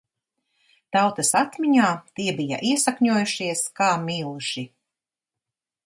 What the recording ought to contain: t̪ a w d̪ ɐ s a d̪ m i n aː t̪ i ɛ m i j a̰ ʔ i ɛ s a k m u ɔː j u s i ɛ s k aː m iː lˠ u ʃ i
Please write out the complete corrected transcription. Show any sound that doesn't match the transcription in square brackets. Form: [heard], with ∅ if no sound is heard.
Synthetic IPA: t̪ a w [t̪] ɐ s a [t̪] m i [ɲ] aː t̪ i ɛ [b] i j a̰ ʔ i ɛ s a k [ɲ] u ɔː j u [ʃ] i ɛ s k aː m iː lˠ u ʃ i